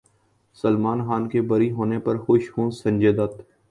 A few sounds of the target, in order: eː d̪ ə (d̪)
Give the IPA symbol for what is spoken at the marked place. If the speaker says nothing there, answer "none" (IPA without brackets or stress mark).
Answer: t̪